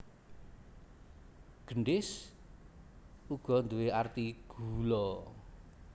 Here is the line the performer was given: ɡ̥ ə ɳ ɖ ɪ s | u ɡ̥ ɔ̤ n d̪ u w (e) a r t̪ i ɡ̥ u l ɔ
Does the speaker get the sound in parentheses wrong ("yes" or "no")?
no